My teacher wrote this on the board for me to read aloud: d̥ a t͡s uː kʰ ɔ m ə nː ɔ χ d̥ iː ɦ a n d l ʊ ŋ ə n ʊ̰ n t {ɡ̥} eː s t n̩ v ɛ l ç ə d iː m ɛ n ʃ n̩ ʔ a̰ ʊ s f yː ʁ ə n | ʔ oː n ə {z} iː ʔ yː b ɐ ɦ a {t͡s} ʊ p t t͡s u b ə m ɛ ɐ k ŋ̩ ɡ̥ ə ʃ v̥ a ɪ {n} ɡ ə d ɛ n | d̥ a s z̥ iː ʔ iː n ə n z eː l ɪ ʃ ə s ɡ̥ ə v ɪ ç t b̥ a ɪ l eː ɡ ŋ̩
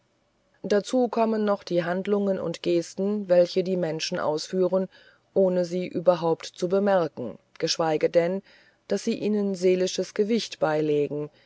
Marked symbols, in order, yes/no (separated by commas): yes, yes, no, no